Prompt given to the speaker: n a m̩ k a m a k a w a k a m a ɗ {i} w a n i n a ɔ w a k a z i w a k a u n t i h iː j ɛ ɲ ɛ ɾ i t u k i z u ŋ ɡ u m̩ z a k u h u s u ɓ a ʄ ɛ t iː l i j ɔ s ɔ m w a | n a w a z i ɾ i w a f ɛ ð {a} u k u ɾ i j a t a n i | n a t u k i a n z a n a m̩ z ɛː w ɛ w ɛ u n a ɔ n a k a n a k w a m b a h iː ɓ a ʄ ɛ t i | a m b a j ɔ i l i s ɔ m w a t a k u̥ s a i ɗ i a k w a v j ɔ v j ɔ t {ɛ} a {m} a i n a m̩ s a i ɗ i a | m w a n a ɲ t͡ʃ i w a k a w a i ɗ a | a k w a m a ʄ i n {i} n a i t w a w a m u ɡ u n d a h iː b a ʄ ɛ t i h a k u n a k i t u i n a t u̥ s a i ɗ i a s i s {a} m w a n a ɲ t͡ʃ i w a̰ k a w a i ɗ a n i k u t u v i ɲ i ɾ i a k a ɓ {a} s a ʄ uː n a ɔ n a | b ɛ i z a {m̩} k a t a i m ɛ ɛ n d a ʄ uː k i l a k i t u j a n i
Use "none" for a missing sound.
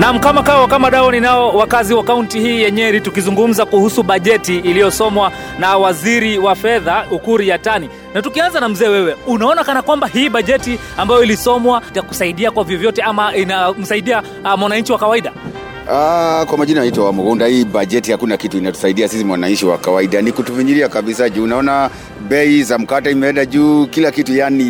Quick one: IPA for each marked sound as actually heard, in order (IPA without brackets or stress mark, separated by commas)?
a, a, ɛ, m, a, i, i, m̩